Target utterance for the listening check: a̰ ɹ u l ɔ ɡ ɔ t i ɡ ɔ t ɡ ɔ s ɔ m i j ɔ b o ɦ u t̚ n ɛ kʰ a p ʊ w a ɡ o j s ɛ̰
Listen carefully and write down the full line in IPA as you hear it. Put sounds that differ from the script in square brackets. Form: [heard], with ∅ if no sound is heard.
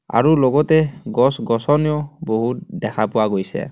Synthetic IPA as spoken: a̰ ɹ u l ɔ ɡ ɔ t [ɛ] ɡ ɔ [s] ɡ ɔ s ɔ [n] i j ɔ b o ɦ u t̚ [d] ɛ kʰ a p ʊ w a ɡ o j s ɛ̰